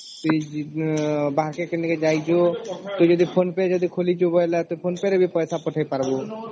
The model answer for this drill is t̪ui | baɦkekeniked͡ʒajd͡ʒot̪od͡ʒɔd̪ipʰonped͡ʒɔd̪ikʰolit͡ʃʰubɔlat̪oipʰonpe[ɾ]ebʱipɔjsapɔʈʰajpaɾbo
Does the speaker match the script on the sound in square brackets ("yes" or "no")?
yes